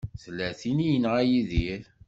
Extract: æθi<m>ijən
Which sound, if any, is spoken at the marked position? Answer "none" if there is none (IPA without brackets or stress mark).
n